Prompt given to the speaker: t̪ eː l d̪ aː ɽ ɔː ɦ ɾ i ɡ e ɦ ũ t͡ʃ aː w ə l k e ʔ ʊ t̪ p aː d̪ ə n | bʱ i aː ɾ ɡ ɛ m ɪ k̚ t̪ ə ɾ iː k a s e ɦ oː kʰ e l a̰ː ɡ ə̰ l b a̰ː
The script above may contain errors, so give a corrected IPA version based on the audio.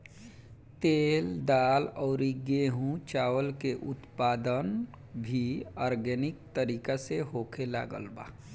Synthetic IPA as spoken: t̪ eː l d̪ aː l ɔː ɾ i ɡ e ɦ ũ t͡ʃ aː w ə l k e ʔ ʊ t̪ p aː d̪ ə n | bʱ i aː ɾ ɡ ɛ n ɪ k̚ t̪ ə ɾ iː k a s e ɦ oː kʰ e l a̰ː ɡ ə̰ l b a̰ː